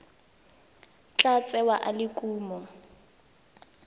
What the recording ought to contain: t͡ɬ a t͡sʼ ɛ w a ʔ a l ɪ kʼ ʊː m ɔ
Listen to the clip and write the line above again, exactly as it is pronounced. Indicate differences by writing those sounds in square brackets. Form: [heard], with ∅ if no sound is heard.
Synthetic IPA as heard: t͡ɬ a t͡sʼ ɛ w a ʔ a l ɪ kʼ [uː] m ɔ